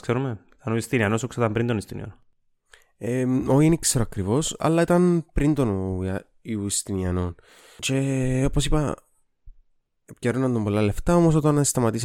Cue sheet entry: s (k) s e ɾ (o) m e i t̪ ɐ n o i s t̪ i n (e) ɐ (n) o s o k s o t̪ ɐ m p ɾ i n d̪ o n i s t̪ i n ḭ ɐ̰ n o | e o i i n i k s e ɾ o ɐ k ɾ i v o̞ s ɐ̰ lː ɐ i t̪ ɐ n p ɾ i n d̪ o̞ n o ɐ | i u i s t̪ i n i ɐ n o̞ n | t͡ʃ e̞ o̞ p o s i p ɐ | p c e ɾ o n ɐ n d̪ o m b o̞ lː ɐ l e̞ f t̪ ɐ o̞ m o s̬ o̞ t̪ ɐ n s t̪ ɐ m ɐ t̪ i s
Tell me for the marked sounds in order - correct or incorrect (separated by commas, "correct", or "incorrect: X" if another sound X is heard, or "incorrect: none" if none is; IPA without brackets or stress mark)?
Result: correct, incorrect: u, incorrect: i, correct